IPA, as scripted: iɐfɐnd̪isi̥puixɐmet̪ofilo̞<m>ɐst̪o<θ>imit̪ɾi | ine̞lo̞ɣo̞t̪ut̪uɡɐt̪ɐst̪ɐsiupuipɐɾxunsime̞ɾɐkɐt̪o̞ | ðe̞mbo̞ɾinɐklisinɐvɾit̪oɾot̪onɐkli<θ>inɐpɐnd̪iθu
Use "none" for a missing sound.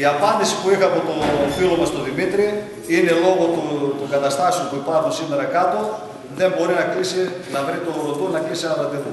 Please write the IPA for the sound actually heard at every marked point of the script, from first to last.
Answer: m, ð, s

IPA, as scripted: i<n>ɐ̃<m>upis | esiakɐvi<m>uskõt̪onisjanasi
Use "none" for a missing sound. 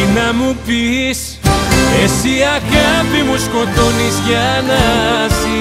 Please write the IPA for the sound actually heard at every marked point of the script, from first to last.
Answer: n, m, m

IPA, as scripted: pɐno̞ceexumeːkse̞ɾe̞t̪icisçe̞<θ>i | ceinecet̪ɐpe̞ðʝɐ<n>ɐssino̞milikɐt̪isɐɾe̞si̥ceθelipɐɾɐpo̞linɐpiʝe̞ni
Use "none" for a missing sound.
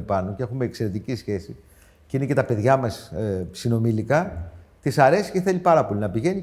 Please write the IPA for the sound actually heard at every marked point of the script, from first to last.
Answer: s, m

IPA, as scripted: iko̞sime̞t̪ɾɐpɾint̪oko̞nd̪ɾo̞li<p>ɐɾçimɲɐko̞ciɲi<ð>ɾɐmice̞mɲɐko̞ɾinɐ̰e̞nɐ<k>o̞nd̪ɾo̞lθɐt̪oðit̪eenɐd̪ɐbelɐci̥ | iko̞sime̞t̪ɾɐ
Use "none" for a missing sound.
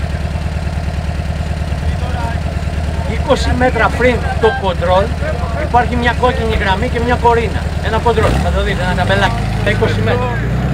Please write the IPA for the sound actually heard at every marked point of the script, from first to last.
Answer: p, ɣ, k

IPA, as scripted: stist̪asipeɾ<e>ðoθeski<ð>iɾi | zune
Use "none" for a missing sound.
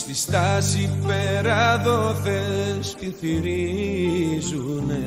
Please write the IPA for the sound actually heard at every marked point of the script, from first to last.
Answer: a, θ

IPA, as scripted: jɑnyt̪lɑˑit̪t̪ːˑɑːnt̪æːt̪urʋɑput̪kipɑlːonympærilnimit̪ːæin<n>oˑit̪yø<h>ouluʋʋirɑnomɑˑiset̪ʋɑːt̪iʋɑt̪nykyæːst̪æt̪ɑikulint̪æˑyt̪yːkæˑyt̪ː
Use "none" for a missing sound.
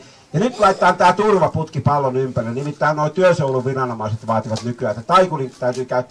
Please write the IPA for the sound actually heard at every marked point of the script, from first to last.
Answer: n, s

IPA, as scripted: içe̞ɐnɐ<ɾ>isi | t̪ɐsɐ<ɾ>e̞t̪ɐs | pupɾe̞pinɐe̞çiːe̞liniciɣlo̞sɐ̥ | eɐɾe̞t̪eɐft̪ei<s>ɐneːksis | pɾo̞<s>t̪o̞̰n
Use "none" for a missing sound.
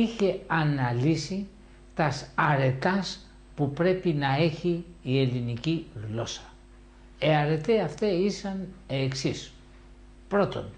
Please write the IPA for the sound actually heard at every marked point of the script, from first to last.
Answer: l, ɾ, s, none

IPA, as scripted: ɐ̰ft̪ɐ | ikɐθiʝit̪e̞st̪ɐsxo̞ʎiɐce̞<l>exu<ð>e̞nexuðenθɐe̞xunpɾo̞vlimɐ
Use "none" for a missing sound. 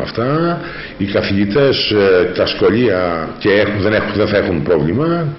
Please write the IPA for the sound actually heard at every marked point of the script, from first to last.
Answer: none, ð

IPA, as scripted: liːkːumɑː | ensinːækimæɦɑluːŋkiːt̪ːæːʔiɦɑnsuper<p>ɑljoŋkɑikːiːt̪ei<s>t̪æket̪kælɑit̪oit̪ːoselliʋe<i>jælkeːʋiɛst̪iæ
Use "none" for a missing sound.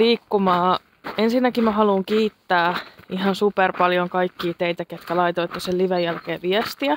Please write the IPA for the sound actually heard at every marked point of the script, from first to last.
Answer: p, none, j

